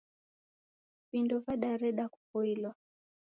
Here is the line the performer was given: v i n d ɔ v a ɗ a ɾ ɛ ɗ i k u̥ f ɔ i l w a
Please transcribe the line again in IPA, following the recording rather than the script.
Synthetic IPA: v i n d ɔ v a ɗ a ɾ ɛ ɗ a k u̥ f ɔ i l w a